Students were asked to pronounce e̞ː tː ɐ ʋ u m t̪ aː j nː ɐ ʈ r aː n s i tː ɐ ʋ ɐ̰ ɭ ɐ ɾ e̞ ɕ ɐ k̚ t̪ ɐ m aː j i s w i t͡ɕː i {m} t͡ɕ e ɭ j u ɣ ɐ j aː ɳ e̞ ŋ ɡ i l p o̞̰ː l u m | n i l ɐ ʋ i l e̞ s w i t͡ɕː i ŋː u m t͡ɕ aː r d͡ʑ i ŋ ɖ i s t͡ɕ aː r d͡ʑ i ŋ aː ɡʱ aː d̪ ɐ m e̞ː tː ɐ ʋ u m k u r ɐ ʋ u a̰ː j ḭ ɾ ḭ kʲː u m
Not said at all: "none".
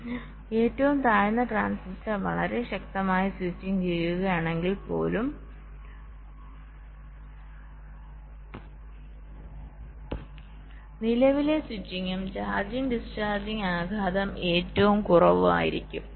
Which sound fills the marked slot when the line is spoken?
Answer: ŋ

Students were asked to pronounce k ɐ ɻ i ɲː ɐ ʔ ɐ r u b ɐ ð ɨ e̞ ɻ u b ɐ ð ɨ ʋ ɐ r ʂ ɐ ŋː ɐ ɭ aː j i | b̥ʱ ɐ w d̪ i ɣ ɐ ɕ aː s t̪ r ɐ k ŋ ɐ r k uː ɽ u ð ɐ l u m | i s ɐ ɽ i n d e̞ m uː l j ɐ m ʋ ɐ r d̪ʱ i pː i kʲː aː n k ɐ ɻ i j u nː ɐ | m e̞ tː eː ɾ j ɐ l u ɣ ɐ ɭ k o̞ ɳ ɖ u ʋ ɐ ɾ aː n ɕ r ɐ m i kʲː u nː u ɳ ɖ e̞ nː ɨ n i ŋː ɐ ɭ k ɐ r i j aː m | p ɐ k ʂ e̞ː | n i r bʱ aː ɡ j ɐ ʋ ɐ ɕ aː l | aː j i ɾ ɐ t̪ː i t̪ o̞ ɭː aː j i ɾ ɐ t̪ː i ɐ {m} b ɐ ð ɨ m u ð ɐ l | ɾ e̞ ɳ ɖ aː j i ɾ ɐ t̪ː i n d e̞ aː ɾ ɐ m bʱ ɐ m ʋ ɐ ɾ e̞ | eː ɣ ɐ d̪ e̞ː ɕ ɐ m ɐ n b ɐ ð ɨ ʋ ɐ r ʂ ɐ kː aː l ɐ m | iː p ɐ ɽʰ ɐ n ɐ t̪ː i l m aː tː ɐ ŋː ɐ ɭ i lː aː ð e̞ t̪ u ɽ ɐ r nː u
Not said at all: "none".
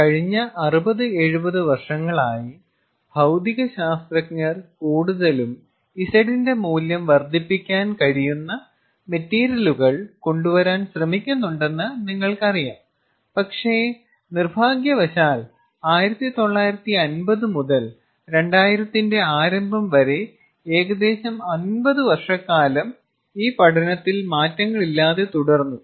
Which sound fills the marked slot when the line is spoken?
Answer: n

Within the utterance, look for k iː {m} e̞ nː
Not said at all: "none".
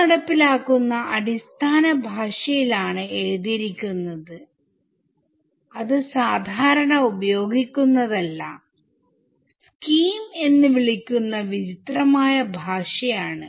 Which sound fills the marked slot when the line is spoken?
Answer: m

